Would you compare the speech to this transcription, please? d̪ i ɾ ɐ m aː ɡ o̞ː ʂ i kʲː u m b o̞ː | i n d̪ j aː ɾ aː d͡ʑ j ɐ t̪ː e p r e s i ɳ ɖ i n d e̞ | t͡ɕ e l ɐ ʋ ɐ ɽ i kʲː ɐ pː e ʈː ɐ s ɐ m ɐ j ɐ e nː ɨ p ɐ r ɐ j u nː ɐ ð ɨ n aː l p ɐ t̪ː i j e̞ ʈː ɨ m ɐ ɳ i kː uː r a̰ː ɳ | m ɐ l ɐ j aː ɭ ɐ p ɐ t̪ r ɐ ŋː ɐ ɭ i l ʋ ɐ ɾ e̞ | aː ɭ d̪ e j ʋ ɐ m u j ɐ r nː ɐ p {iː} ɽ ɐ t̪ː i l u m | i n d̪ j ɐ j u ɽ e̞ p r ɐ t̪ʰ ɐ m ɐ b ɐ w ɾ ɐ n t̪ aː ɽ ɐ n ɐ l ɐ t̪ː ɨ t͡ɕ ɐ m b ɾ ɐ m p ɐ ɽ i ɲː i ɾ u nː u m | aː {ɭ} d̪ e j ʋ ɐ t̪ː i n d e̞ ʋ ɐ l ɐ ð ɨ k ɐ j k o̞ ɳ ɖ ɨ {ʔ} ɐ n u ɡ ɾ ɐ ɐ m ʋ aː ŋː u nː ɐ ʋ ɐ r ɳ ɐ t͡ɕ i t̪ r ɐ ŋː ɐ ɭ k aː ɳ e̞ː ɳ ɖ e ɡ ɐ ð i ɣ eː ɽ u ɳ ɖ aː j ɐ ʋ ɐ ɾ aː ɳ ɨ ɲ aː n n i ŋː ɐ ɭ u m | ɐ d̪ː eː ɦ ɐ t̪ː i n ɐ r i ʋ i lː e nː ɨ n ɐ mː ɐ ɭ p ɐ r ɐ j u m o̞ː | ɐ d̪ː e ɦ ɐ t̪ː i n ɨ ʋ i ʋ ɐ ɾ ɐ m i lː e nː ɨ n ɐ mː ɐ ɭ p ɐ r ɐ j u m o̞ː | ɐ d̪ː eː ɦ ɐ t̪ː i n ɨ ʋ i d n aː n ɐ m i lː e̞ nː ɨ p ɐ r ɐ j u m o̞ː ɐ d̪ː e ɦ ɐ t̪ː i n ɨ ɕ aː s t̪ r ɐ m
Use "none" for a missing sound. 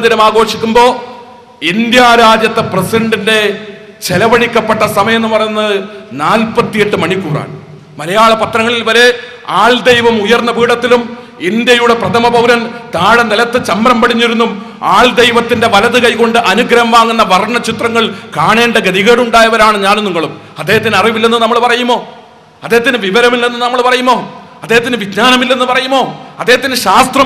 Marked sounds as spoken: iː, ɭ, ʔ

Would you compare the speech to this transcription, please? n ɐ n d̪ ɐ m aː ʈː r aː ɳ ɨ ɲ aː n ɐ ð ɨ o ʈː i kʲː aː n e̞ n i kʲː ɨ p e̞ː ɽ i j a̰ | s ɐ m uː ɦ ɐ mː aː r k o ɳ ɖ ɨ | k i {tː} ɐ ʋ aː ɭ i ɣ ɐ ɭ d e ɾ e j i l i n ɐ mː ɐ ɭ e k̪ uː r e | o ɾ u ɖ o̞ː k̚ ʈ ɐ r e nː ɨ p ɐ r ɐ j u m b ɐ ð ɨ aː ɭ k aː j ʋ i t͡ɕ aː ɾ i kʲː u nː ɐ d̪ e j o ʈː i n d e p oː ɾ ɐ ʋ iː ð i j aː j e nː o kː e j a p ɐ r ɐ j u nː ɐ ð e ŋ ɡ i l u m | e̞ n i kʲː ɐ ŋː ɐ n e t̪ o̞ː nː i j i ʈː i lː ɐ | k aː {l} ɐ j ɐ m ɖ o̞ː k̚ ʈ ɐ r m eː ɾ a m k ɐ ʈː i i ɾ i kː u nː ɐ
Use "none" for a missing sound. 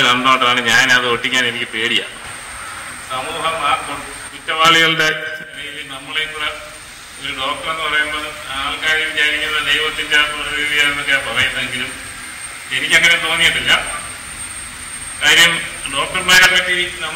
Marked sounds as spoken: tː, ɾ

